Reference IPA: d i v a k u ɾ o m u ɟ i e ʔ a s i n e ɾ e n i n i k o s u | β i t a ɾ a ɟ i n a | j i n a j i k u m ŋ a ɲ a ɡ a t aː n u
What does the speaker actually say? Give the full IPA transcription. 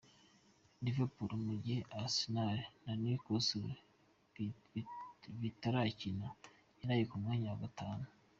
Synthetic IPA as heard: d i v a p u ɾ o m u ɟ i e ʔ a s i n a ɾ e n a n i k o s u | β i t a ɾ a c i n a | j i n a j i k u m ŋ a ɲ a ɡ a t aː n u